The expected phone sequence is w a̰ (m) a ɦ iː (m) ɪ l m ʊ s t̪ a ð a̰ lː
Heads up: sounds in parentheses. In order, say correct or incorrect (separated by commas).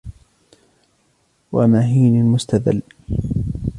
correct, incorrect